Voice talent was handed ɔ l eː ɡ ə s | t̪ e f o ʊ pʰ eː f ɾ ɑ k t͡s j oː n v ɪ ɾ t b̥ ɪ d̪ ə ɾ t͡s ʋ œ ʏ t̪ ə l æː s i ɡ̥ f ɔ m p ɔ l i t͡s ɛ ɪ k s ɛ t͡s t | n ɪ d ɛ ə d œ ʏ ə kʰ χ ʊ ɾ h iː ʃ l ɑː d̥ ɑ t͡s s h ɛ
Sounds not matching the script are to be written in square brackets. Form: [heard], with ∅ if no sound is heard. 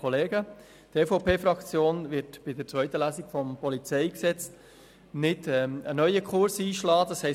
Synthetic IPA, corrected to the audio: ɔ l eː ɡ ə [∅] | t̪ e f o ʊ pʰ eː f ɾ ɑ k t͡s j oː n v ɪ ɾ t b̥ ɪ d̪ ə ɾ t͡s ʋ œ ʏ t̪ ə l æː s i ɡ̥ f ɔ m p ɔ l i t͡s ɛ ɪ k s ɛ t͡s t | n ɪ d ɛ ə [n] œ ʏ ə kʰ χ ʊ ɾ [s] iː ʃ l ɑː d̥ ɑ [∅] s h ɛ